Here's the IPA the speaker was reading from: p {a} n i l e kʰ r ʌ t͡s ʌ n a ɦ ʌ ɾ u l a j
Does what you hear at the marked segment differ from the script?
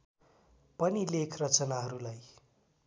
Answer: yes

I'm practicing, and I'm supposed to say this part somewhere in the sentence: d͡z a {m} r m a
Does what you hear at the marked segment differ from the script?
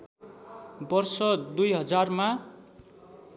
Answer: yes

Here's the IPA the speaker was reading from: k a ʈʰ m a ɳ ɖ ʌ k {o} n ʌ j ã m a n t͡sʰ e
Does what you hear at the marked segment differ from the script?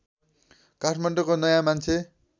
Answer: no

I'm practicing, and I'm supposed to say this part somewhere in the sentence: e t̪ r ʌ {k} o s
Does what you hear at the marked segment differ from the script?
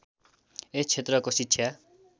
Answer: no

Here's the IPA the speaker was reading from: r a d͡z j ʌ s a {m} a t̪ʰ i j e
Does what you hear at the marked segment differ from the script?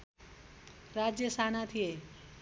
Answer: yes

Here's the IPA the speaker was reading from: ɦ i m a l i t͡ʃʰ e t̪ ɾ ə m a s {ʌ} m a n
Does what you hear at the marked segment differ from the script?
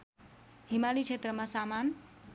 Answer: yes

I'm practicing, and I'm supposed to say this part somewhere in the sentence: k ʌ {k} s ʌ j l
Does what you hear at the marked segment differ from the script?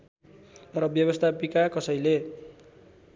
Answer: yes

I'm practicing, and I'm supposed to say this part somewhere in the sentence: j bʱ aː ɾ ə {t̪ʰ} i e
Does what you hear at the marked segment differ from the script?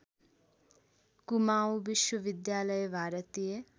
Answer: yes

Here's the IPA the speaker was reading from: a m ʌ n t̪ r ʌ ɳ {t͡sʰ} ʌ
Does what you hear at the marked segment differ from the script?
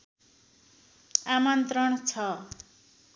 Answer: no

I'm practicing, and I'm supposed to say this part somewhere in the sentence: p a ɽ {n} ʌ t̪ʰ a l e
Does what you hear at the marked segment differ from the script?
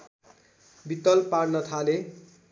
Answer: no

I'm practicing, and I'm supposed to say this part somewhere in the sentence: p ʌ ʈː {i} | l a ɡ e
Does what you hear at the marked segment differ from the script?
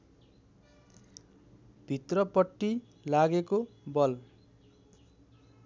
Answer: no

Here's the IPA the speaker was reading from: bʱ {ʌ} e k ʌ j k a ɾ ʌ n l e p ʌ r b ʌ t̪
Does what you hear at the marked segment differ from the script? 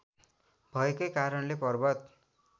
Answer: no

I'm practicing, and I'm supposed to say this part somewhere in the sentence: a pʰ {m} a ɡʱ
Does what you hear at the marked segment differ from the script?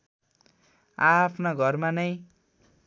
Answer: yes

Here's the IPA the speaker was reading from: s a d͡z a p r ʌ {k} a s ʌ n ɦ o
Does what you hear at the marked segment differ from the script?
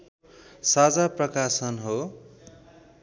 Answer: no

